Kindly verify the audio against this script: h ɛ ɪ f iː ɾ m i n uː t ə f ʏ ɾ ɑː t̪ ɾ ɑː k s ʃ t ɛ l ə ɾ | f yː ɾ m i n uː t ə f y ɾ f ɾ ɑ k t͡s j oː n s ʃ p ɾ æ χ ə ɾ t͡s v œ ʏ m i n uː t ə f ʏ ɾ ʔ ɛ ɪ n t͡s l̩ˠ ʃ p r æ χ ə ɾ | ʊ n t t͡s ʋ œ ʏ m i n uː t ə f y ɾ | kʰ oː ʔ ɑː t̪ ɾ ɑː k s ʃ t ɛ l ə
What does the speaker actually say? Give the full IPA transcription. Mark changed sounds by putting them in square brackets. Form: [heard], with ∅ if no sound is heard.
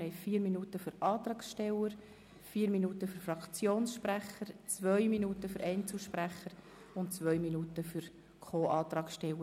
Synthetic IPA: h ɛ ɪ f iː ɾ m i n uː t ə f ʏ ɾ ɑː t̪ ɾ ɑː k s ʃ t ɛ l ə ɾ | f [iː] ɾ m i n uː t ə f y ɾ f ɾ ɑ k t͡s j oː n s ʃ p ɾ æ χ ə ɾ t͡s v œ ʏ m i n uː t ə f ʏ ɾ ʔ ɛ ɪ n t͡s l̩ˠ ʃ p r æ χ ə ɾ | ʊ n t t͡s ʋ œ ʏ m i n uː t ə f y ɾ | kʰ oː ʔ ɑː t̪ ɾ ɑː k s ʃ t ɛ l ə